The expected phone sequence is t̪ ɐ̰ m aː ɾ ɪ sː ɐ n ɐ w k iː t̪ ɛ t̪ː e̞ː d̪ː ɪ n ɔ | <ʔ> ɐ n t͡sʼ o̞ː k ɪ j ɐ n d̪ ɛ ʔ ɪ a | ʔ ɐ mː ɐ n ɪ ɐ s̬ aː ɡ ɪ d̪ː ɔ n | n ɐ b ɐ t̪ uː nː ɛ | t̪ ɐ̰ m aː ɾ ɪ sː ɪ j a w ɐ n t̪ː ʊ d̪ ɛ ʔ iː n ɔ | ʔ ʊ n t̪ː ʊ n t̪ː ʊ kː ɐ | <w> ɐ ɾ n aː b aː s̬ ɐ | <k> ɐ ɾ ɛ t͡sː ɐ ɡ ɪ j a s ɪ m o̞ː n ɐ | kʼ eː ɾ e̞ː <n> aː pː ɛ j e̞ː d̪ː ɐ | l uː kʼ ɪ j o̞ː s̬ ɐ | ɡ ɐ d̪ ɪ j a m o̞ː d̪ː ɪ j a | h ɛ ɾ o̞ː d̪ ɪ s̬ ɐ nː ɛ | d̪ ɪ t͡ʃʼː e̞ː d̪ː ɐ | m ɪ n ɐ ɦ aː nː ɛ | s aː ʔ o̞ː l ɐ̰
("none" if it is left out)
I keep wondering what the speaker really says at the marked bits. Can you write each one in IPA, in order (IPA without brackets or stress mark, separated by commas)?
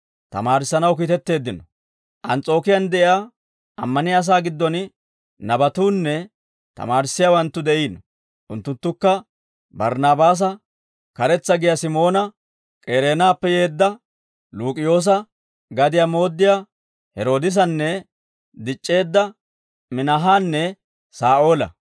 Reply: ʔ, b, k, n